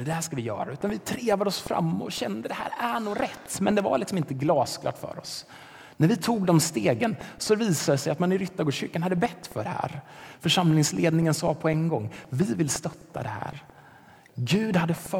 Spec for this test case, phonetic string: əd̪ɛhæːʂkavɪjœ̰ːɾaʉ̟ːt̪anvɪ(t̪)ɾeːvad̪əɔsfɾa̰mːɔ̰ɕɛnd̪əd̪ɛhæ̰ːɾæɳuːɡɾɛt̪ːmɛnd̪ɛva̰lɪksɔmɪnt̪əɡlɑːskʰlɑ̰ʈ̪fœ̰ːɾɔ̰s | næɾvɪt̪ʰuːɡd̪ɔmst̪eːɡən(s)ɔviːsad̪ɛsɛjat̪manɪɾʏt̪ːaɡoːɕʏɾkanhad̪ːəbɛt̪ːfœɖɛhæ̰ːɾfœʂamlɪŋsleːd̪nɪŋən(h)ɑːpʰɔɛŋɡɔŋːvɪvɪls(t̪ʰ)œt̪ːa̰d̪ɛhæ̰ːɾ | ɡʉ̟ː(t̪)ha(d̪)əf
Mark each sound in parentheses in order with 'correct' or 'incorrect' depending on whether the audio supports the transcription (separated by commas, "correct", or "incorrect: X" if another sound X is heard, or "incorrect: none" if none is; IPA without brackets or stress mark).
incorrect: t̪ʰ, correct, incorrect: s, incorrect: t̪, incorrect: d̪, incorrect: d̪ː